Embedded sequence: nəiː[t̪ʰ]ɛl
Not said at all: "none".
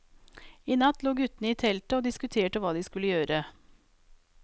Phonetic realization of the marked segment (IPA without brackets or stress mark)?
t̪ʰ